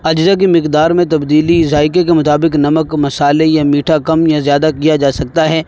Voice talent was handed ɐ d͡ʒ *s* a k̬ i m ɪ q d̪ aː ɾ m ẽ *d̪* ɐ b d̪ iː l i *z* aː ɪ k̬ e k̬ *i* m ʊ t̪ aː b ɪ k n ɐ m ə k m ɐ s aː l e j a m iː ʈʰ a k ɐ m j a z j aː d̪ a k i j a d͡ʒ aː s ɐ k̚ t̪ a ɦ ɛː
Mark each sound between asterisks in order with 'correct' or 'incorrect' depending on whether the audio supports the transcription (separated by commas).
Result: incorrect, incorrect, correct, incorrect